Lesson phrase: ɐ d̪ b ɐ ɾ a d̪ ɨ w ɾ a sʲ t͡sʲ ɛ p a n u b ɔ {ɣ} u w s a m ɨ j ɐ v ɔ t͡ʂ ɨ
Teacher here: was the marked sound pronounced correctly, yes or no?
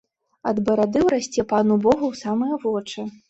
yes